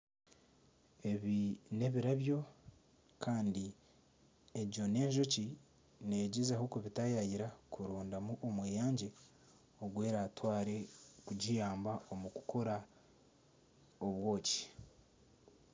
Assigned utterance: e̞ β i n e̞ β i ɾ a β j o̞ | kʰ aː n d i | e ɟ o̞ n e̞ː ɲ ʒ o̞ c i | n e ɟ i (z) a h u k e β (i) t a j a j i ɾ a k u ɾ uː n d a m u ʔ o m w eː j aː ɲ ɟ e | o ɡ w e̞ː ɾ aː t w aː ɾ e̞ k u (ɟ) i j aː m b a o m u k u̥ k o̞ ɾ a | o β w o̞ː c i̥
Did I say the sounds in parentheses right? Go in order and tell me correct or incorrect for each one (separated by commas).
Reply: correct, correct, correct